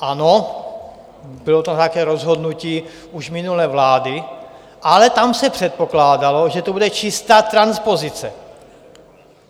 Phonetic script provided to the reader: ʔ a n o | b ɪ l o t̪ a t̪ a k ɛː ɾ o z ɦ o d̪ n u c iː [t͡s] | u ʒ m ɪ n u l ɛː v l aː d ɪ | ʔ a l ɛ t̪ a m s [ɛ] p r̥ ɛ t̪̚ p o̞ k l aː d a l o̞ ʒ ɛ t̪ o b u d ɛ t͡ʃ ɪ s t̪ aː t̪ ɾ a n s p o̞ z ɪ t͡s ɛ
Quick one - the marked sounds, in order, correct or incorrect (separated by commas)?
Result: incorrect, correct